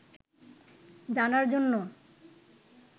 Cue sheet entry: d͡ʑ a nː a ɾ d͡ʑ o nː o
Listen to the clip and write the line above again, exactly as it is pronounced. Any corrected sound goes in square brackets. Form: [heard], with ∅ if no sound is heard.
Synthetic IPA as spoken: d͡ʑ a [n] a ɾ d͡ʑ o nː o